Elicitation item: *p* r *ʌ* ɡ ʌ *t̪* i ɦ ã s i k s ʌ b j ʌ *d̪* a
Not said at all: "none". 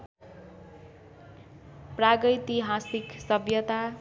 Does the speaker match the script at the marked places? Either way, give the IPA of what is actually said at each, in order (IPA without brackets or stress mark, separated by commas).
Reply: p, a, t̪, t̪